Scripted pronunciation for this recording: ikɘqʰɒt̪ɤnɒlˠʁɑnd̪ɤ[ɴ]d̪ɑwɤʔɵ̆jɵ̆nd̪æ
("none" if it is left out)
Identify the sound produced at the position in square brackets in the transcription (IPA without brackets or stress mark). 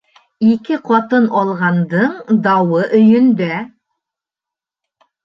ɴ